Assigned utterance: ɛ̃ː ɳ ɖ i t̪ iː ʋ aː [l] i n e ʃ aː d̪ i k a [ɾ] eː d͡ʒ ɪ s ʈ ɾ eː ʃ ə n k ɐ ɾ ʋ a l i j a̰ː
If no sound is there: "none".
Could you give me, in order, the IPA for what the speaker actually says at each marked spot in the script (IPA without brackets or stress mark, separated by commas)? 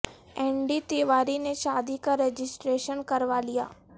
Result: ɾ, ɾ